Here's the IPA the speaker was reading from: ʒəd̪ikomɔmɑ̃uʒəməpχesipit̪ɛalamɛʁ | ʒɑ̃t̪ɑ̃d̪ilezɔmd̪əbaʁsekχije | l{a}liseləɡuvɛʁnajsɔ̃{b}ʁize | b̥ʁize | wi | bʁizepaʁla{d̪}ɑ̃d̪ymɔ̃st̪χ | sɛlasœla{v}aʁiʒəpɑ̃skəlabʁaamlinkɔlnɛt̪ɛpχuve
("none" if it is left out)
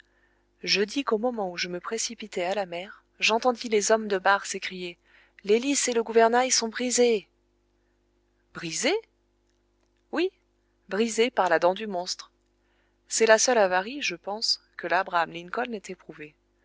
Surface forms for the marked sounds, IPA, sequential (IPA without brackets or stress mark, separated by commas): e, b, d̪, v